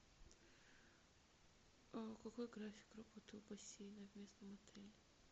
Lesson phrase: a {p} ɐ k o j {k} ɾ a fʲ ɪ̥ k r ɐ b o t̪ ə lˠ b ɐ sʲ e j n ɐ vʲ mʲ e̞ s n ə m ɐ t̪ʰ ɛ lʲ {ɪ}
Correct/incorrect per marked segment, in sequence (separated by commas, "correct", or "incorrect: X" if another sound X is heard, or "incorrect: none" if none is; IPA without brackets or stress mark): incorrect: k, incorrect: ɡ, correct